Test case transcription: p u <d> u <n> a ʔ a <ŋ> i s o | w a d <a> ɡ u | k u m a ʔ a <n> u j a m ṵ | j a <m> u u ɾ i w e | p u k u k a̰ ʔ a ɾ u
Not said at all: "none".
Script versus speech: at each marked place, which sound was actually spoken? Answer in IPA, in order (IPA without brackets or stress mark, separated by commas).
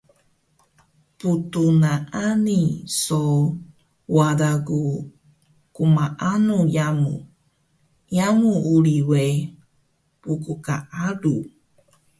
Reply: t, n, n, a, n, m